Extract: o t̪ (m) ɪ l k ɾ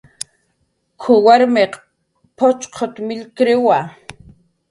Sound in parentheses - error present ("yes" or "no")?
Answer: no